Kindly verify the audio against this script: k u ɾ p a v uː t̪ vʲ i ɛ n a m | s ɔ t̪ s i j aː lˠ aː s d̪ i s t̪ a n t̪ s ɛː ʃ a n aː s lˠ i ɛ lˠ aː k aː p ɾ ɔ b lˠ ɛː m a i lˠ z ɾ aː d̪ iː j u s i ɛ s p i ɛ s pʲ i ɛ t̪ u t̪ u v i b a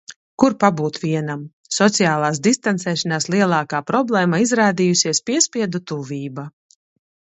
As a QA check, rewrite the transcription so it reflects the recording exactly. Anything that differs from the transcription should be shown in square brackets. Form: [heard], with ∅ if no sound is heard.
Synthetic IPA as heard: k u ɾ p a [b] uː t̪ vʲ i ɛ n a m | s ɔ t̪ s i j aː lˠ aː s d̪ i s t̪ a n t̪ s ɛː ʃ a n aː s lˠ i ɛ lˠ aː k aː p ɾ ɔ b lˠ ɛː m a i [∅] z ɾ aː d̪ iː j u s i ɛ s p i ɛ s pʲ i ɛ [d̪] u t̪ u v [iː] b a